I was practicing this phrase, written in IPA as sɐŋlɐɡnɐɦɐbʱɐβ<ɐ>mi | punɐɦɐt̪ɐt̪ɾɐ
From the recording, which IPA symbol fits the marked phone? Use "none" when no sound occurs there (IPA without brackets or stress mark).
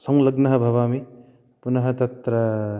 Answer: a